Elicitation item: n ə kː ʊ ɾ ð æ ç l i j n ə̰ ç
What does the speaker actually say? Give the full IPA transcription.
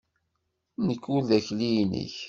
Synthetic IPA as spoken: n ə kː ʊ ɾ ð æ ç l i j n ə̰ ç